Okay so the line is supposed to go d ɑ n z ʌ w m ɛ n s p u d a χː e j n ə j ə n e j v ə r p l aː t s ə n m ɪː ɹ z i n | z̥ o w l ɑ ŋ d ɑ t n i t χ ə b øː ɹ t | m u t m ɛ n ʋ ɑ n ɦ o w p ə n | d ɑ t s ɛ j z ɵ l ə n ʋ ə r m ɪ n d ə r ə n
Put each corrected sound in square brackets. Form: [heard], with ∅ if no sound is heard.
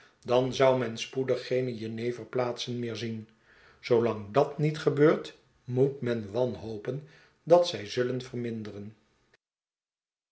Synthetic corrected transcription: d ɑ n z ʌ w m ɛ n s p u d [ə] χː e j n ə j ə n e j v ə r p l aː t s ə n m ɪː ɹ z i n | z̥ o w l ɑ ŋ d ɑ t n i t χ ə b øː ɹ t | m u t m ɛ n ʋ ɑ n ɦ o w p ə n | d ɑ t s ɛ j z ɵ l ə n [v] ə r m ɪ n d ə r ə n